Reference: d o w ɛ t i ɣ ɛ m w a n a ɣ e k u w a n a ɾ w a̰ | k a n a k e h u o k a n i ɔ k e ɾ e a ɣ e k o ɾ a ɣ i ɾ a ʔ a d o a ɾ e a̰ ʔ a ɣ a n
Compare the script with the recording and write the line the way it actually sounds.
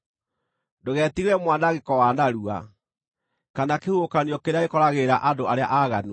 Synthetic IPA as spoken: d o ɣ ɛ t i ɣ ɛ m w a n a ɣ e k ɔ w a n a ɾ u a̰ | k a n a k e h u o k a n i ɔ k e ɾ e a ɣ e k ɔ ɾ a ɣ e ɾ a ʔ a d o a ɾ e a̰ ʔ a ɣ a n